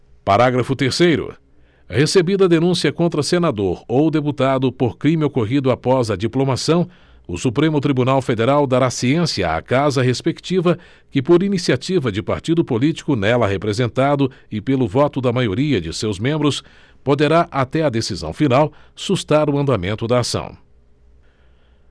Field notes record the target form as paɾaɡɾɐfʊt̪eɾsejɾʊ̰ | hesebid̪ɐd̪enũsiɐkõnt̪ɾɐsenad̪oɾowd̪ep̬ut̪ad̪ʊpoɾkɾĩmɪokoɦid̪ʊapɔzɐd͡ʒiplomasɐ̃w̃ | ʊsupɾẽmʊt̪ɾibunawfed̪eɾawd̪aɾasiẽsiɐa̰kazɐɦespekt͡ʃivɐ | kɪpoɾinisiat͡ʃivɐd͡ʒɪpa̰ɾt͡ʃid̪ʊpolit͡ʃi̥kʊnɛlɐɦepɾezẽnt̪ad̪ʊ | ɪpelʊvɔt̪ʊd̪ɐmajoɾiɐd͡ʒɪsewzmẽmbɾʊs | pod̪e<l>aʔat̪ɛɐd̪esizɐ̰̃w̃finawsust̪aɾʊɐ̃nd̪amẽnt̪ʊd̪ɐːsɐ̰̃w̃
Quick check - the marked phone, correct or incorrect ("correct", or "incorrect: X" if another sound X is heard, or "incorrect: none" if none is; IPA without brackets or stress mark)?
incorrect: ɾ